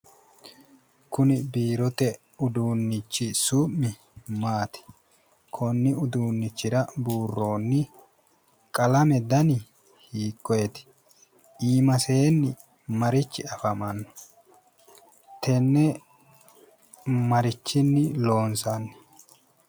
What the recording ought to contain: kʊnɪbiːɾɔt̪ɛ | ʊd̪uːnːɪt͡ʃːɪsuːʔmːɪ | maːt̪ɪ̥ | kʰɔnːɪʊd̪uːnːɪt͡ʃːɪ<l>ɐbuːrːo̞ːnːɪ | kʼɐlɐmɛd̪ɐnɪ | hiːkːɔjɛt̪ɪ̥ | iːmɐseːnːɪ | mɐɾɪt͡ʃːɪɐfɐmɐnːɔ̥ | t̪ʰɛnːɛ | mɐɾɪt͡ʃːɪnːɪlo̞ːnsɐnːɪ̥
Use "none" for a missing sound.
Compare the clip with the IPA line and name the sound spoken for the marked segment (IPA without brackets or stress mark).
ɾ